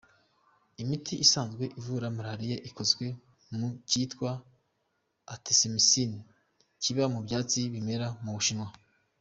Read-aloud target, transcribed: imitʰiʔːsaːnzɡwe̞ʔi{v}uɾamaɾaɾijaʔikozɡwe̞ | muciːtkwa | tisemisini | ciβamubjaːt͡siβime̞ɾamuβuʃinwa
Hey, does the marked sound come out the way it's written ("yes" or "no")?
yes